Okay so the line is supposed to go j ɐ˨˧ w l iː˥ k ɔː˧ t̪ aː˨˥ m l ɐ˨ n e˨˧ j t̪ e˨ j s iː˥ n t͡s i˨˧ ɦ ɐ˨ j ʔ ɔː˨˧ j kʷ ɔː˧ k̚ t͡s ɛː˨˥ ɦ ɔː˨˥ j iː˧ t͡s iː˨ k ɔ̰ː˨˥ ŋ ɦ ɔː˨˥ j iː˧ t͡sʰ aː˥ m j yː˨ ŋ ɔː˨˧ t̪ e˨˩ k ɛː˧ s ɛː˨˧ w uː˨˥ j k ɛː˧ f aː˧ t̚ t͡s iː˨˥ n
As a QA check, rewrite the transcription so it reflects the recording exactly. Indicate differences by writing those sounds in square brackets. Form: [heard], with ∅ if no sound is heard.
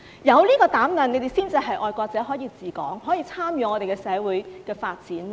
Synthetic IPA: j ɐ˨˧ w l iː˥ k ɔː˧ t̪ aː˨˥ m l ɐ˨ n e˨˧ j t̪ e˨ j s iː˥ n t͡s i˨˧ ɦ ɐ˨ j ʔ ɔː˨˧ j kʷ ɔː˧ k̚ t͡s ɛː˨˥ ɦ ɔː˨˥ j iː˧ t͡s iː˨ k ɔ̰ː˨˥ ŋ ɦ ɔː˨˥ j iː˧ t͡sʰ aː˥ m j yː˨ ŋ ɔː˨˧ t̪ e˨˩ k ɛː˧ s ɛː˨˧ w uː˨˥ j k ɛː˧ f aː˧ t̚ t͡s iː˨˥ n

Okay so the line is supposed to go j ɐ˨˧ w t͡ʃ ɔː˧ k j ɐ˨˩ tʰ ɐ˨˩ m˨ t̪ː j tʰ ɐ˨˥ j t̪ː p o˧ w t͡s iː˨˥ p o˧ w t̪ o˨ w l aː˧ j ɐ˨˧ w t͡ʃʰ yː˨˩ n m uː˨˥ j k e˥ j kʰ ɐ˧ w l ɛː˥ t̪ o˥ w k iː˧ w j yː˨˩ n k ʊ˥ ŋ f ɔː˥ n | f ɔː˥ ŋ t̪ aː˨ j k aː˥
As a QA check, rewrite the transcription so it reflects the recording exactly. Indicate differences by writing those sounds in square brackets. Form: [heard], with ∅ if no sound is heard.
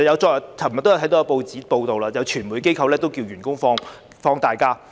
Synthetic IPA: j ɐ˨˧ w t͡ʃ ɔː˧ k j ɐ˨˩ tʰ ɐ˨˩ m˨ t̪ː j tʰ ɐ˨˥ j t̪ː p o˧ w t͡s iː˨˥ p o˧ w t̪ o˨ w l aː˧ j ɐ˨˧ w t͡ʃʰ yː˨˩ n m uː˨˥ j k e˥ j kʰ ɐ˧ w l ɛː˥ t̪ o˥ w k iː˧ w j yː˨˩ n k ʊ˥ ŋ f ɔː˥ [ŋ] | f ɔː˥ ŋ t̪ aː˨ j k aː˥

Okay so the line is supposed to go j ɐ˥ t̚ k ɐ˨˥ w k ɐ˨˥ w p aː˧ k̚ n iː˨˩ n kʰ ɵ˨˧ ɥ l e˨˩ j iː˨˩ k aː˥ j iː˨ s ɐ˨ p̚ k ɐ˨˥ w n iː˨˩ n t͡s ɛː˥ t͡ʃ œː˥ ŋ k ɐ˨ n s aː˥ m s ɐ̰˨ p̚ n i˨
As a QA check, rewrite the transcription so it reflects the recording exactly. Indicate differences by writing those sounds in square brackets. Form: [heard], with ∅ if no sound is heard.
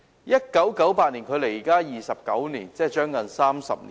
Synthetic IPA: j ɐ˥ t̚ k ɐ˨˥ w k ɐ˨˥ w p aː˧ [t̚] n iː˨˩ n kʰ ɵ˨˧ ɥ l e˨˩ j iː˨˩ k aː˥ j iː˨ s ɐ˨ p̚ k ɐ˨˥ w n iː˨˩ n t͡s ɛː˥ t͡ʃ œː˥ ŋ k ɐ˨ n s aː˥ m s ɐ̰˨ p̚ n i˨

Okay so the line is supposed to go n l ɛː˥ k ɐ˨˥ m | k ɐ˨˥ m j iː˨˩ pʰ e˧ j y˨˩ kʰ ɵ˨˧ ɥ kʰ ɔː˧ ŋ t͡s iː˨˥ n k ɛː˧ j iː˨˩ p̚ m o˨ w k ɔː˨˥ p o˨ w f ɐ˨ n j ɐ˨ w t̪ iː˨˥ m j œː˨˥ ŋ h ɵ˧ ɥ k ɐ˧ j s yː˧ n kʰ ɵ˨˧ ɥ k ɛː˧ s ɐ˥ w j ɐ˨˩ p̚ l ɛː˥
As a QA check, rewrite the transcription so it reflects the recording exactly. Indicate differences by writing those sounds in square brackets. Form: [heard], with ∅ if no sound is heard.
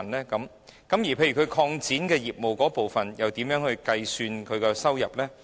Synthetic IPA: n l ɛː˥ k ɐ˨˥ m | k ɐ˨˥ m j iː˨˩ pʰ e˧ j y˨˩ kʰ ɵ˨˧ ɥ kʰ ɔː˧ ŋ t͡s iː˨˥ n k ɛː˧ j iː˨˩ p̚ m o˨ w k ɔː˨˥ p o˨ w f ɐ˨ n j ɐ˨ w t̪ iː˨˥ m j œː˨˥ ŋ h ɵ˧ ɥ k ɐ˧ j s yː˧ n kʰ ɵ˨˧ ɥ k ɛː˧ s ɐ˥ w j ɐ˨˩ p̚ l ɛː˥

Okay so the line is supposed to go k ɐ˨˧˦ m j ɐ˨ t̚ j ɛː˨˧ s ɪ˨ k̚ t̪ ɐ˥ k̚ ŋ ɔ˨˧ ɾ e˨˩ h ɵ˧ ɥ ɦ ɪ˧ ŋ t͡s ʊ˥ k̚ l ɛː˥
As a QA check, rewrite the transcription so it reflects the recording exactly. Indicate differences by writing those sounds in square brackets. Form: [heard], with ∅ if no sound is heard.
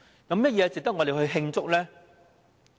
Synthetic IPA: k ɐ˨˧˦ m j [ɐ˥] t̚ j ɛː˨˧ [t͡s] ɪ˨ k̚ t̪ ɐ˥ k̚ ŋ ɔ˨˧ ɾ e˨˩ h ɵ˧ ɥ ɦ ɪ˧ ŋ t͡s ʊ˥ k̚ l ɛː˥

